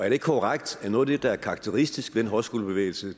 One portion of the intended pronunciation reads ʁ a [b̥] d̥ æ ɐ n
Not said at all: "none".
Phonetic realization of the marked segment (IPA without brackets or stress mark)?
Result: ɡ̥